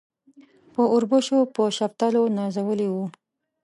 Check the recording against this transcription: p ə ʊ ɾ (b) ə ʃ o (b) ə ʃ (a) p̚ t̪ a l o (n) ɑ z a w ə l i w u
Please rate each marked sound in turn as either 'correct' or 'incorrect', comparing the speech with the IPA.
correct, incorrect: p, correct, correct

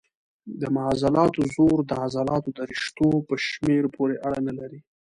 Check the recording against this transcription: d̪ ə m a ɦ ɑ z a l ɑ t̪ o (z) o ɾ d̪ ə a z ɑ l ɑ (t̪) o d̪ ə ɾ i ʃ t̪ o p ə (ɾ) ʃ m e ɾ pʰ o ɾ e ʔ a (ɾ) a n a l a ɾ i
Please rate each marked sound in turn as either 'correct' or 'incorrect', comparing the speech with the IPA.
correct, correct, incorrect: none, incorrect: ɽ

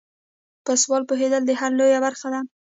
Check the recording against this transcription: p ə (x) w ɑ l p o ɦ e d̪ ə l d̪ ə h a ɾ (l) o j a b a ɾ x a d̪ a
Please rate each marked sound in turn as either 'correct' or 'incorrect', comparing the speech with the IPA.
incorrect: s, correct

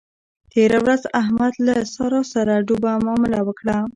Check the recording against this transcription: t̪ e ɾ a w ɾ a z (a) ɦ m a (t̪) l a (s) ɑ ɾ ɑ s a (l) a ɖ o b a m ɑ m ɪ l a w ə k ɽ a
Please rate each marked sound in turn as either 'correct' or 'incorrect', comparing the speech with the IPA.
correct, incorrect: d̪, correct, incorrect: ɾ

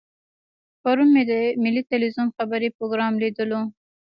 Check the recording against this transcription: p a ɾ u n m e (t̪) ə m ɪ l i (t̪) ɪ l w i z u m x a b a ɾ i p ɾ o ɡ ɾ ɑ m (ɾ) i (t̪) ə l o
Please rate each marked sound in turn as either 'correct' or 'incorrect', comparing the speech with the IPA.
incorrect: d̪, correct, incorrect: l, incorrect: d̪

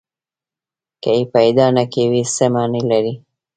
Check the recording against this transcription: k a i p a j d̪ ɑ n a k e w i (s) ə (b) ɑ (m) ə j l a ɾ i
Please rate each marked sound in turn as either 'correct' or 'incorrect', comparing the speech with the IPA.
correct, incorrect: m, incorrect: n

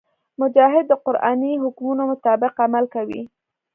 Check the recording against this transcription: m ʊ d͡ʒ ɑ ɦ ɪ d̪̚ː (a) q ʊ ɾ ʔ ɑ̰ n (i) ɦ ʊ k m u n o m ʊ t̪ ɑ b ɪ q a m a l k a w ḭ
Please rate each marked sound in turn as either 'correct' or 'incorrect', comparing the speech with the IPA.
incorrect: ə, correct

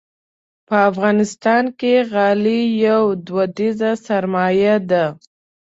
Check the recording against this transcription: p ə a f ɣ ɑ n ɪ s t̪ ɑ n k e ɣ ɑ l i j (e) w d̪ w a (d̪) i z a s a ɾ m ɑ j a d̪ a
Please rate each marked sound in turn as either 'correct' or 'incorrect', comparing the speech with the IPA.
incorrect: a, correct

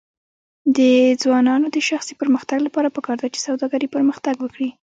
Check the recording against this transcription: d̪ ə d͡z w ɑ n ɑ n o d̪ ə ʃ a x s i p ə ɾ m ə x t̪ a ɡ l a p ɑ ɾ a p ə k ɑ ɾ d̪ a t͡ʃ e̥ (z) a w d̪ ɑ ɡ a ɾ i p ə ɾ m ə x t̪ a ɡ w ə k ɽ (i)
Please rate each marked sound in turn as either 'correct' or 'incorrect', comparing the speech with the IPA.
incorrect: s, correct

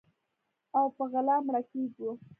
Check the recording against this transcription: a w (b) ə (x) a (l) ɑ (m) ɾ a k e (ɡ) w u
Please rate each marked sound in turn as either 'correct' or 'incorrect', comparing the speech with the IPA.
incorrect: p, incorrect: ɣ, correct, correct, correct

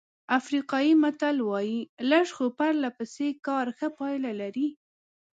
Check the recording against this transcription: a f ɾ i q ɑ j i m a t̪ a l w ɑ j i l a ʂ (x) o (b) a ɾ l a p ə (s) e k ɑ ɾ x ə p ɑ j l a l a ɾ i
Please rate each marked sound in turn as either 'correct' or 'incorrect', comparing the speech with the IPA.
correct, incorrect: p, correct

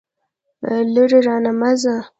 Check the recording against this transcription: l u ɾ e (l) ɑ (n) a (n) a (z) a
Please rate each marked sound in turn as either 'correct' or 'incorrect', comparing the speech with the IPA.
incorrect: ɾ, correct, incorrect: m, correct

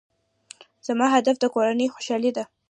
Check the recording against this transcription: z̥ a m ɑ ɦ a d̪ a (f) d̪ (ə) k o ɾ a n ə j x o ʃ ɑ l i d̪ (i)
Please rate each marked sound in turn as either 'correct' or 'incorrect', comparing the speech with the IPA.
correct, correct, incorrect: a

